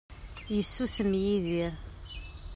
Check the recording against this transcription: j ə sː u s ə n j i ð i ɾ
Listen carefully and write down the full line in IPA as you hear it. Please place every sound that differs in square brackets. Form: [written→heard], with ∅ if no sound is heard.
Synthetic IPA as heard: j ə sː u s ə [n→m] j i ð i ɾ